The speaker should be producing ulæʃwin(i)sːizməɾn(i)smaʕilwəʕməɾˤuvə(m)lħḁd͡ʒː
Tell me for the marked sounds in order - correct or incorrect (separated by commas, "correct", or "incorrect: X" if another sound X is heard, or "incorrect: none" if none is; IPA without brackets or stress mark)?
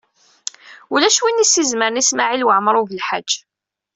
correct, correct, incorrect: none